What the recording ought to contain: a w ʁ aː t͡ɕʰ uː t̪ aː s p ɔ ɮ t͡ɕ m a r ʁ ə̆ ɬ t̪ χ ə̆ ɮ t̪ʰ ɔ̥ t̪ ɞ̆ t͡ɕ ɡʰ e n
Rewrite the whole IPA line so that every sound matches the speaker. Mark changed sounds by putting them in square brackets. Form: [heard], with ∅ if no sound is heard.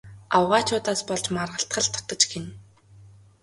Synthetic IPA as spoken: a w ʁ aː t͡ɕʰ [ʊː] t̪ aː s p ɔ ɮ t͡ɕ m a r ʁ ə̆ ɬ t̪ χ ə̆ ɮ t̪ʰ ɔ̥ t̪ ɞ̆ t͡ɕ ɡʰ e n